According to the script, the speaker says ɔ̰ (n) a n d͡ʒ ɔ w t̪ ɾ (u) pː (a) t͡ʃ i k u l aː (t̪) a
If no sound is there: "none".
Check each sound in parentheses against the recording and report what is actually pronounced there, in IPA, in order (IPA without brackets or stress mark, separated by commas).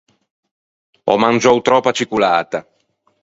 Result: m, ɔ, a, t̪